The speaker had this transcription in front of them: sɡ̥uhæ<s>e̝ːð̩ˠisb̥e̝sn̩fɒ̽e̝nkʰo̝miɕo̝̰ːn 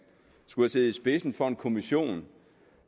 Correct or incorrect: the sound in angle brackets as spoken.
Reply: correct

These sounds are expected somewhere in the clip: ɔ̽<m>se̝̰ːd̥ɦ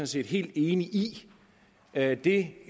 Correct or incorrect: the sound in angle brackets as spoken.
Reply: incorrect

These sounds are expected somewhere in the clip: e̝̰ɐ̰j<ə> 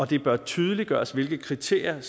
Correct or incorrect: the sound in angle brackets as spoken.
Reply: incorrect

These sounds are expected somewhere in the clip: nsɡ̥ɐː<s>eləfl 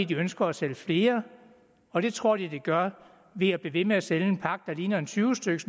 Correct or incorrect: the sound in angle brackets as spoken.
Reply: correct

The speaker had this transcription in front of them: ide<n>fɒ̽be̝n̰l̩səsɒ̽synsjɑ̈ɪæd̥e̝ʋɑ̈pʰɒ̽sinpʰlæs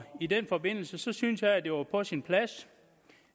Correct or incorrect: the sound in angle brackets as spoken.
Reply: correct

